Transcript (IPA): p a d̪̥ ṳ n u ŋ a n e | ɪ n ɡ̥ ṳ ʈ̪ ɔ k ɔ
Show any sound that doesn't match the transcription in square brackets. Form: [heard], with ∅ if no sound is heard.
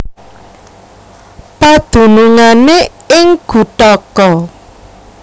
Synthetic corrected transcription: p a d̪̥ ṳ n u ŋ a n e | ɪ [ŋ] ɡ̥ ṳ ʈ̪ ɔ k ɔ